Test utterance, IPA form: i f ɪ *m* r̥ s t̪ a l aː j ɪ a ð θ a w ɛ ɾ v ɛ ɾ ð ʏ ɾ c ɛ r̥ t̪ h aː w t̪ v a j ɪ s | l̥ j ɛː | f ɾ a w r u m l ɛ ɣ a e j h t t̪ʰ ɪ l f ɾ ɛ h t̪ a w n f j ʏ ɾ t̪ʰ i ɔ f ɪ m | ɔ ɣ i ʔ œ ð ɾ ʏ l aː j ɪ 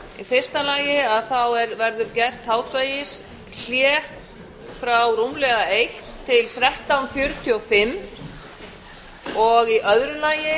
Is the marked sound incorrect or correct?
incorrect